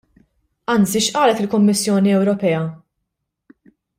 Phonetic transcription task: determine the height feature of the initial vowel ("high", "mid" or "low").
low